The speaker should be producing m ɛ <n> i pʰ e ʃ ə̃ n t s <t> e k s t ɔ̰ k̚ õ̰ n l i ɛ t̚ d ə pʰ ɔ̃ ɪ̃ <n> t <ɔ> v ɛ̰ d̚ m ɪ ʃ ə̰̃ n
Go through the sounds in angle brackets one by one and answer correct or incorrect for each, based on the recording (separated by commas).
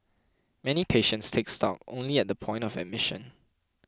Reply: correct, incorrect, correct, correct